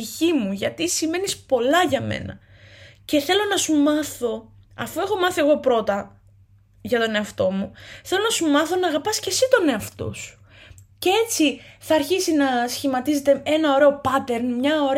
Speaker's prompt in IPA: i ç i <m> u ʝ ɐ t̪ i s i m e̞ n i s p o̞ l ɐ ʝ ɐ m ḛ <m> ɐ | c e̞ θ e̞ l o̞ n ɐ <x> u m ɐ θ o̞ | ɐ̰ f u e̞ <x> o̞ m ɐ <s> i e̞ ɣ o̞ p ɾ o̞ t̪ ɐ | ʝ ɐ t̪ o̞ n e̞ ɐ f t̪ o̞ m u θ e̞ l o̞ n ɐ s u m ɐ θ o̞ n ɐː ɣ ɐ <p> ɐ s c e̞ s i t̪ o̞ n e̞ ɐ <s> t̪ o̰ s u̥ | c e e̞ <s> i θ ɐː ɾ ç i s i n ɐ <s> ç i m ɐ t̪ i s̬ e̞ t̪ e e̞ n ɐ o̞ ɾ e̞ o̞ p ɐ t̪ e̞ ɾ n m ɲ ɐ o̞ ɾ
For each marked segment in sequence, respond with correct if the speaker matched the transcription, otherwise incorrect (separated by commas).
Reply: correct, incorrect, incorrect, correct, incorrect, correct, incorrect, incorrect, correct